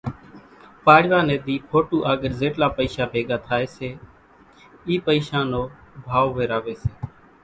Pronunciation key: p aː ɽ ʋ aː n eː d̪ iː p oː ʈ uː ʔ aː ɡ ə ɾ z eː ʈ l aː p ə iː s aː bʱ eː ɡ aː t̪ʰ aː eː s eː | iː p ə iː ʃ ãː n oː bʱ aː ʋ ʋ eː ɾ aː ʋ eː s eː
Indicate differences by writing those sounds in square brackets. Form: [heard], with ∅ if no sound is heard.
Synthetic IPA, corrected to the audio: p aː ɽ ʋ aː n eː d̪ iː [pʰ] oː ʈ uː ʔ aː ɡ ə ɾ z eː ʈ l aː p ə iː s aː bʱ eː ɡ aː t̪ʰ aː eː s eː | iː p ə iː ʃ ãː n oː bʱ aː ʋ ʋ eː ɾ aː ʋ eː s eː